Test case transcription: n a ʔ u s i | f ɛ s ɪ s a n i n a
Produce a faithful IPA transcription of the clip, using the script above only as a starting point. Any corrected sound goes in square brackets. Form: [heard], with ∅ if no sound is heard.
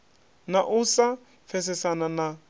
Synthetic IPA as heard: n a ʔ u s [a] | f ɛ s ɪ s a n [a] n a